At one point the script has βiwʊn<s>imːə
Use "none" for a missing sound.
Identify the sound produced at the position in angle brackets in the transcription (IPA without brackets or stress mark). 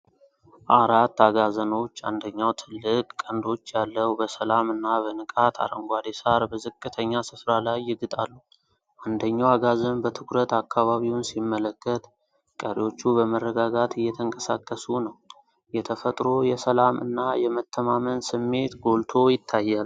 s